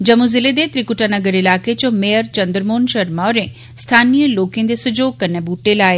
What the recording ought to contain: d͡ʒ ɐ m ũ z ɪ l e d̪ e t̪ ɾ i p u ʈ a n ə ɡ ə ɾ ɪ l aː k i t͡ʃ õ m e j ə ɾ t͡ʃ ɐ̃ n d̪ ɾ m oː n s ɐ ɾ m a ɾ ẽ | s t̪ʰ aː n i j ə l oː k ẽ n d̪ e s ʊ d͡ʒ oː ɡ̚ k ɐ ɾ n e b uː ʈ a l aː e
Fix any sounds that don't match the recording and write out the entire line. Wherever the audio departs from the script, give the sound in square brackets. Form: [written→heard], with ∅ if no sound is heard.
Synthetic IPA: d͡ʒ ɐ m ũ z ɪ l e d̪ e t̪ ɾ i [p→k] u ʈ a n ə ɡ ə ɾ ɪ l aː k [i→e] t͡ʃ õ m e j ə ɾ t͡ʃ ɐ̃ n d̪ ɾ m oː n [s→ʃ] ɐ ɾ m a ɾ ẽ | s t̪ʰ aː n i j ə l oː k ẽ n d̪ e s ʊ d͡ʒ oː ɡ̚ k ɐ ɾ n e b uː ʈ [a→e] l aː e